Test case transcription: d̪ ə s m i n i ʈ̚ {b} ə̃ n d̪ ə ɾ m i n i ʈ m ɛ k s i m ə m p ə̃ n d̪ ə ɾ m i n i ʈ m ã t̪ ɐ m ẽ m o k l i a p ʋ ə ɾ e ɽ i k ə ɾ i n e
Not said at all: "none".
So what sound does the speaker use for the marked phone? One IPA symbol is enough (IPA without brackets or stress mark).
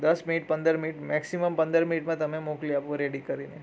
p